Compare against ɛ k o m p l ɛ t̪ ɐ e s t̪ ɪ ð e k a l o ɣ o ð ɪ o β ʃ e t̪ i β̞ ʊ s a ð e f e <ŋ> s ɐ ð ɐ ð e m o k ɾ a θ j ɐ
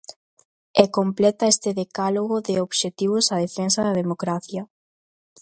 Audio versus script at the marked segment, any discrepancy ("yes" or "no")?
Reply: yes